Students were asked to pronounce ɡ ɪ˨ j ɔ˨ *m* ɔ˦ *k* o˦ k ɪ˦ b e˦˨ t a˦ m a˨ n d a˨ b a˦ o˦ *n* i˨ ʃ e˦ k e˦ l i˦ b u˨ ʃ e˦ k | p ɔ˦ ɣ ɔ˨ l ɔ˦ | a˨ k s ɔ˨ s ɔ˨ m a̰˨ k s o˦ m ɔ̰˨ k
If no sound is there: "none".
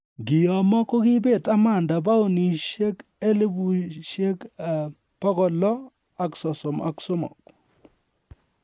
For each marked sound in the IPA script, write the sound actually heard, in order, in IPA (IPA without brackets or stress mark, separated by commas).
m, k, n